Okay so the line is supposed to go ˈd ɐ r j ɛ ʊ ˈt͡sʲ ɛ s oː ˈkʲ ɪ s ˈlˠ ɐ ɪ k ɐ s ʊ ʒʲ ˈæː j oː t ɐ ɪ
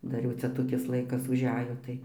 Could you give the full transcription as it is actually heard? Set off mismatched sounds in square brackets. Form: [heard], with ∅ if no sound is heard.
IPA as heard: ˈd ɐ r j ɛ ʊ ˈt͡sʲ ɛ [t] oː ˈkʲ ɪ s ˈlˠ ɐ ɪ k ɐ s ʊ ʒʲ ˈæː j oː t ɐ ɪ